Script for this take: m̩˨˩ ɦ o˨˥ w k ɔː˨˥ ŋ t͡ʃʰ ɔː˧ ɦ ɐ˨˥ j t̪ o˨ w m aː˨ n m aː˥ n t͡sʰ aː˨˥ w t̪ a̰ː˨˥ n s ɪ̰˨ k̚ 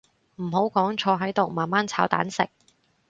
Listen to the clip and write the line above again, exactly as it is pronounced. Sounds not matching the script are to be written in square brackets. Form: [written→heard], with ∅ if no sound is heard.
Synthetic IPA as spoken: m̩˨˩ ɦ o˨˥ w k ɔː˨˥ ŋ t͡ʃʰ ɔː˧ ɦ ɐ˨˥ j t̪ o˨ w m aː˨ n m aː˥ n t͡sʰ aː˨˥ w t̪ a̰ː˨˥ n s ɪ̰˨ k̚